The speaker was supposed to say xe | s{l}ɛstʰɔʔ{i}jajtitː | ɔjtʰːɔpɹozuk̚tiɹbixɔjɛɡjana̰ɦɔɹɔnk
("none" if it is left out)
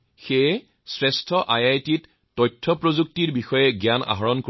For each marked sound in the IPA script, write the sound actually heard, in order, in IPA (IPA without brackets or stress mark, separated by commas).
ɹ, a